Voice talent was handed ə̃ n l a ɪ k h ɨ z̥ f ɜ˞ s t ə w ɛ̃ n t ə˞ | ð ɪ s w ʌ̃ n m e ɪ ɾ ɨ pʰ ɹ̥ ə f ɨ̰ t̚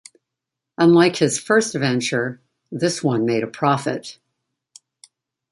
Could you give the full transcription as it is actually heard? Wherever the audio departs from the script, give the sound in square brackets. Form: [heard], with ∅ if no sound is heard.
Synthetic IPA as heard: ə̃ n l a ɪ k h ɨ z̥ f ɜ˞ s t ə [v] ɛ̃ n [t͡ʃ] ə˞ | ð ɪ s w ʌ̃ n m e ɪ ɾ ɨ pʰ ɹ̥ [ɑ] f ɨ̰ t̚